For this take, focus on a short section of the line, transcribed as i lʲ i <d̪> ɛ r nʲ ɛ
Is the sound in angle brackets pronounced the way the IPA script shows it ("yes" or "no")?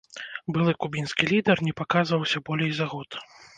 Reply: yes